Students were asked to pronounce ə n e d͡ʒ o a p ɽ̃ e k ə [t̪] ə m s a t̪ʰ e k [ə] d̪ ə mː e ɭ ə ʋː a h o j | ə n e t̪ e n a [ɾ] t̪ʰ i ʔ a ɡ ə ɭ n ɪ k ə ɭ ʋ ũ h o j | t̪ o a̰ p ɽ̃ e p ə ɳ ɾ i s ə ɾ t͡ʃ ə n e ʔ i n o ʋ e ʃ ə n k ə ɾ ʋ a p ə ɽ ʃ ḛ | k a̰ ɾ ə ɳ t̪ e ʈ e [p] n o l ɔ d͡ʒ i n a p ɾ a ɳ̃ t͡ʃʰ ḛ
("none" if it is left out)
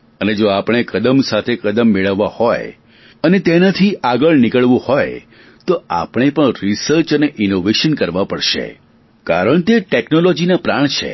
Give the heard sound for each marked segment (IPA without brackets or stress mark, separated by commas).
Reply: d̪, ə, none, k